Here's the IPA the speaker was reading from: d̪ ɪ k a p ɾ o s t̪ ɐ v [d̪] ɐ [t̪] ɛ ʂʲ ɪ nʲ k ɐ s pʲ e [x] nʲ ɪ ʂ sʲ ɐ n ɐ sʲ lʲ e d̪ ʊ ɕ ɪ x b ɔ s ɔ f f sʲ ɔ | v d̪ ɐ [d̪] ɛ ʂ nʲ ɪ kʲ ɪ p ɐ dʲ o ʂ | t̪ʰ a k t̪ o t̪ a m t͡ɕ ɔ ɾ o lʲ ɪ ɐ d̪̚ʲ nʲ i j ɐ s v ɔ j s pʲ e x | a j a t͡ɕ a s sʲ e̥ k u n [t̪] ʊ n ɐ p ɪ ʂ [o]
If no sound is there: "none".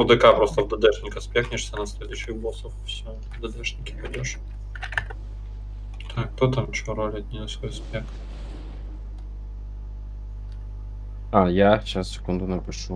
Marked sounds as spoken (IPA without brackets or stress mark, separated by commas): d̪, d̪, x, d̪, d̪, u